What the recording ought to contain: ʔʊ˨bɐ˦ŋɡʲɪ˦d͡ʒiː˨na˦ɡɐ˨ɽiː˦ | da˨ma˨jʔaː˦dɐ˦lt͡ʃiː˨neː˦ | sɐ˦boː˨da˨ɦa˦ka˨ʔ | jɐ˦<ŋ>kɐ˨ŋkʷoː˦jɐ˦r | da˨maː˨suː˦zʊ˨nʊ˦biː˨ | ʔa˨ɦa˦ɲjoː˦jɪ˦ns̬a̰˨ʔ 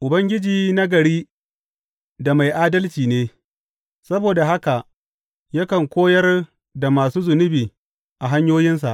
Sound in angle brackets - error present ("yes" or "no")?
yes